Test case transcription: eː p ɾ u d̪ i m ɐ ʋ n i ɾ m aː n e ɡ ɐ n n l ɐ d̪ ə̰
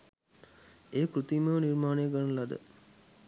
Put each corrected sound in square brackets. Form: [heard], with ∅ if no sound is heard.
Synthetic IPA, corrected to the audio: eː [k] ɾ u [t̪] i m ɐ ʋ n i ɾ m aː n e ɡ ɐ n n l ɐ d̪ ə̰